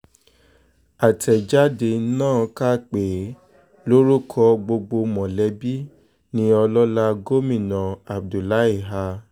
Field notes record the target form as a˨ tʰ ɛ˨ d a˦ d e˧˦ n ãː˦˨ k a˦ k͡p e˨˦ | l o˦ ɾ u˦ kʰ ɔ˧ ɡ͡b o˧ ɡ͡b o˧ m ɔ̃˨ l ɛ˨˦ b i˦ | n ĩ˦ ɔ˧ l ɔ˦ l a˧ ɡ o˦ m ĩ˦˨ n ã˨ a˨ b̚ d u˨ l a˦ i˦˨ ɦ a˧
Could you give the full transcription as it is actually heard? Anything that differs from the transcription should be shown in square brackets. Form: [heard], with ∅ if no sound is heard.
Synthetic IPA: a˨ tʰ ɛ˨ [d͡ʒ] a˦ d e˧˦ n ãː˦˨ k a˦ k͡p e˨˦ | l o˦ ɾ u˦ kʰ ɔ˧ ɡ͡b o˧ ɡ͡b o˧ m ɔ̃˨ l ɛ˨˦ b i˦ | n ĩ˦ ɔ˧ l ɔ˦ l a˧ ɡ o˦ m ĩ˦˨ n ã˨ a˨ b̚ d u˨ l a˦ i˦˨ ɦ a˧